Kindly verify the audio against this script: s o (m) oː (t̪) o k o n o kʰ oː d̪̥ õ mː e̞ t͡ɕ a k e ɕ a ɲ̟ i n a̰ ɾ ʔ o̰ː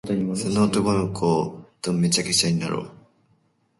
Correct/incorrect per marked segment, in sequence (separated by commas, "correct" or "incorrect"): incorrect, correct